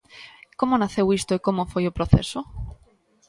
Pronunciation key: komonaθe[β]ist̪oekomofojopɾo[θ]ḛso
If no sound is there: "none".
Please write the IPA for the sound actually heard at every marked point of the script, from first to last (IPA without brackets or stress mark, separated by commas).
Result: w, θ